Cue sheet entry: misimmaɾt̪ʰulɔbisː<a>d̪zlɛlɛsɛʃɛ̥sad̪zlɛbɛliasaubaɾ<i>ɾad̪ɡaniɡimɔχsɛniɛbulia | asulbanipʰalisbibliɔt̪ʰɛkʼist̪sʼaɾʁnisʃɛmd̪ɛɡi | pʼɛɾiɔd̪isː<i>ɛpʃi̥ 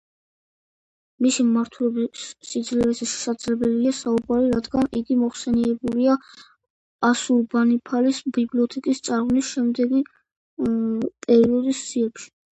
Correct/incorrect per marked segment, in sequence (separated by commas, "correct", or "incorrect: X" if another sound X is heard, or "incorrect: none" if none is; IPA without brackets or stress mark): incorrect: i, correct, correct